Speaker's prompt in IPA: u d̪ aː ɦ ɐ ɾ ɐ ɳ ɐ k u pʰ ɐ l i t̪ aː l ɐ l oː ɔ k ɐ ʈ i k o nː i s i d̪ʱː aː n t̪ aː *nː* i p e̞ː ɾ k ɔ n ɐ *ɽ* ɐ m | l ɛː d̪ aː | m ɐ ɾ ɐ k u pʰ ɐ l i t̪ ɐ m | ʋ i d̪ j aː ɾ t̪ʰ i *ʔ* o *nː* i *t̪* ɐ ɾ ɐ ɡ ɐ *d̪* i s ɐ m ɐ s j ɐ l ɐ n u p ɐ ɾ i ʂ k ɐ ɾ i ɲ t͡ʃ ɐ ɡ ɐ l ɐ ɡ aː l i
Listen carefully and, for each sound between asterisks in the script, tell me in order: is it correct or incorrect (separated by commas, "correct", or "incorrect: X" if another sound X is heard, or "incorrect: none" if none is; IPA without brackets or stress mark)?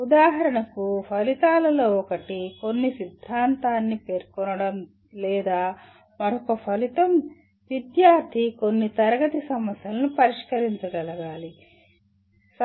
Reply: correct, correct, incorrect: k, correct, correct, incorrect: t̪